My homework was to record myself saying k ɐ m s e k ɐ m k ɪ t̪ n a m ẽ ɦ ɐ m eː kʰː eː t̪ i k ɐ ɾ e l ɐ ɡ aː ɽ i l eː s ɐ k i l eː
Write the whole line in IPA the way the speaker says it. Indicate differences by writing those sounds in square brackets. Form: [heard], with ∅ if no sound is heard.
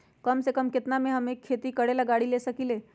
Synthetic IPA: k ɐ m s e k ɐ m k ɪ t̪ n a m ẽ ɦ ɐ m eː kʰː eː t̪ i k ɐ [ɽ] e l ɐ ɡ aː ɽ i l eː s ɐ k i l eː

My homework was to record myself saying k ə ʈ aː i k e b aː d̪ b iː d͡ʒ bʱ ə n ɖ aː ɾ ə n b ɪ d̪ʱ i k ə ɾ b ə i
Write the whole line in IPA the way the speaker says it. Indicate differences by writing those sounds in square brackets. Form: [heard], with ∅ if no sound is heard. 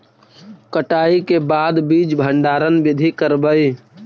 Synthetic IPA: k ə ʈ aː i k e b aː d̪ b iː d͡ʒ bʱ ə [ɳ] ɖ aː ɾ ə n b ɪ d̪ʱ i k ə ɾ b ə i

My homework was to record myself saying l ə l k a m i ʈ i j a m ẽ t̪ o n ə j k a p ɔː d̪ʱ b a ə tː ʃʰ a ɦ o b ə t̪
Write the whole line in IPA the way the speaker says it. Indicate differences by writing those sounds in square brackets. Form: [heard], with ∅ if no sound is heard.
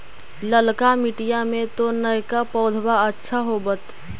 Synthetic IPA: l ə l k a m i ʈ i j a m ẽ t̪ o n ə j k a p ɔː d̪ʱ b a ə tː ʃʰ a ɦ o b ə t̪

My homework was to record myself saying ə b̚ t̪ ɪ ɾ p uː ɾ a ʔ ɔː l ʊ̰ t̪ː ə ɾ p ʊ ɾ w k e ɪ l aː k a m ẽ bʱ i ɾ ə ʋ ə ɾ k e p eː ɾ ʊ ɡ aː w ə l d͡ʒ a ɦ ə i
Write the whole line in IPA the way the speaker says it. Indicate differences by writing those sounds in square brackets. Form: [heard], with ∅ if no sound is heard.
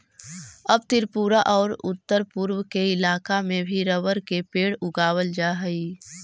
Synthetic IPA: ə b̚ t̪ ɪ ɾ p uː ɾ a ʔ ɔː [ɾ] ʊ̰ t̪ː ə ɾ p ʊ ɾ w k e ɪ l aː k a m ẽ bʱ i ɾ ə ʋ ə ɾ k e p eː [ɽ] ʊ ɡ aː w ə l d͡ʒ a ɦ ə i

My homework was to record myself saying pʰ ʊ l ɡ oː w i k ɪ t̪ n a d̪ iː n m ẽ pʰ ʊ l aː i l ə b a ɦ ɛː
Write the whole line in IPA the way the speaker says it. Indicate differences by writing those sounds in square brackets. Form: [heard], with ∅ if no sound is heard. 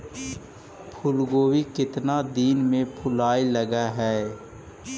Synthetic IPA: pʰ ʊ l ɡ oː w i k ɪ t̪ n a d̪ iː n m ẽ pʰ ʊ l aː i l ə [ɡ] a ɦ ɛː

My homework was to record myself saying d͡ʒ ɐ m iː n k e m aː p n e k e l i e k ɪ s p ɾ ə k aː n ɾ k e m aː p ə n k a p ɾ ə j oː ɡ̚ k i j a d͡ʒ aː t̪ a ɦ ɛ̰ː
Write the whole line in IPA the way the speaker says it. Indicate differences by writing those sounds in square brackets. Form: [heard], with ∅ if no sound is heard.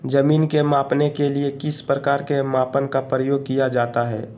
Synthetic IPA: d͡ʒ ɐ m iː n k e m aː p n e k e l i e k ɪ s p ɾ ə k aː [∅] ɾ k e m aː p ə n k a p ɾ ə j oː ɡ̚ k i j a d͡ʒ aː t̪ a ɦ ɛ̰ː

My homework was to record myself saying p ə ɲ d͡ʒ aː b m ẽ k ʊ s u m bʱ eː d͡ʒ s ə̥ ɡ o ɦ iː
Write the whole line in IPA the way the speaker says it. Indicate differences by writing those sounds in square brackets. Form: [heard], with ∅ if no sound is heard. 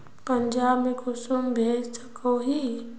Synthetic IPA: p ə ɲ d͡ʒ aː b m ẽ k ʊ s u m bʱ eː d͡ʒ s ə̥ [k] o ɦ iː

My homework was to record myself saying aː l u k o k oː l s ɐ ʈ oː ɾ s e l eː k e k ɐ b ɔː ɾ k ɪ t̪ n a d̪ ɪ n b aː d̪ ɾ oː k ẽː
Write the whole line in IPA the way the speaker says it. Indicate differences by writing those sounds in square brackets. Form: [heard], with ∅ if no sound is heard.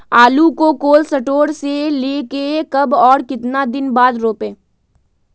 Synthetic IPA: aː l u k o k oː l s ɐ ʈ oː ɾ s e l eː k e k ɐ b ɔː ɾ k ɪ t̪ n a d̪ ɪ n b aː d̪ ɾ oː [p] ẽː

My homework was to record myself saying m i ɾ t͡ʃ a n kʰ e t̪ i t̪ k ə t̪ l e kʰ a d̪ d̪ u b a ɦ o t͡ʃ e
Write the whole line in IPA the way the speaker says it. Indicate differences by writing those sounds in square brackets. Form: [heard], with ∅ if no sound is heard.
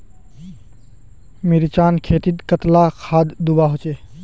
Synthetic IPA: m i ɾ t͡ʃ a n kʰ e t̪ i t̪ k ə t̪ l [a] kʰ a d̪ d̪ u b a ɦ o t͡ʃ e

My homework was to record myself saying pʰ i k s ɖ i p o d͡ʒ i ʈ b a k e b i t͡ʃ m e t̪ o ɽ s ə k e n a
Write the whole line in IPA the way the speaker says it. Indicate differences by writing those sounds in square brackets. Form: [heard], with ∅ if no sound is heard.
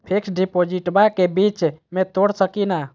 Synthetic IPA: pʰ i k s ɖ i p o d͡ʒ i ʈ b a k e b i t͡ʃ m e t̪ o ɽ s ə k [i] n a

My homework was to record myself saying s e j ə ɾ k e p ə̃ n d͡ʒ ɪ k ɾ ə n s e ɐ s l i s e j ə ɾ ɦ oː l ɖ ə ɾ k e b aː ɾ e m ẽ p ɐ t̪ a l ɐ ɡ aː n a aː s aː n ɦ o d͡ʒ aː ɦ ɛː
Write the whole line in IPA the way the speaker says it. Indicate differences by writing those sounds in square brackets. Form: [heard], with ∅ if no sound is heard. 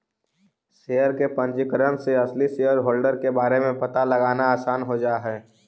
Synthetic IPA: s e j ə ɾ k e p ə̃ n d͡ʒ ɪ k ɾ ə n s e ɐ s l i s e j ə ɾ ɦ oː l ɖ ə ɾ k e b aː ɾ e m ẽ p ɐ t̪ a l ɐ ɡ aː n a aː s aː n ɦ o d͡ʒ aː ɦ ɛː

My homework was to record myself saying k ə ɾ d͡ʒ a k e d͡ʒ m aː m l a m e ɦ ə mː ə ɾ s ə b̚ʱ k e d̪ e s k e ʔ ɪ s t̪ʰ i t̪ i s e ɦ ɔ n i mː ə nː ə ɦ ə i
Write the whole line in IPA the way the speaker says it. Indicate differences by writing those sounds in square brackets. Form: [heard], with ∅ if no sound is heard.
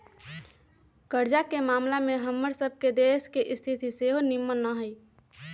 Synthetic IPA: k ə ɾ d͡ʒ a k e [∅] m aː m l a m e ɦ ə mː ə ɾ s ə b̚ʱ k e d̪ e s k e ʔ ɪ s t̪ʰ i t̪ i s e ɦ [o] n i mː ə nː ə ɦ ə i

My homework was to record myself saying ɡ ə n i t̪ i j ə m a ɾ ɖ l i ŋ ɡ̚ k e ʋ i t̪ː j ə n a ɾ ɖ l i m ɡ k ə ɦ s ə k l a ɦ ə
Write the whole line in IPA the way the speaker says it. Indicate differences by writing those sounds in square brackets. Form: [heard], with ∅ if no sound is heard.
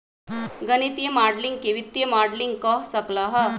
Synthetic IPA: ɡ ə n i t̪ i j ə m a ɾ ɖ l i ŋ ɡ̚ k e ʋ i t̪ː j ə [m] a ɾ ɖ l i [ŋ] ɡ k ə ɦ s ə k l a ɦ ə

